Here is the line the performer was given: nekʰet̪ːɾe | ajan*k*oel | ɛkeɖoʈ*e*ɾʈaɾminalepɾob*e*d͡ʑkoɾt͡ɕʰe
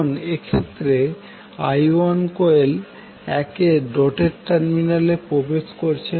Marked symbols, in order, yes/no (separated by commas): yes, yes, yes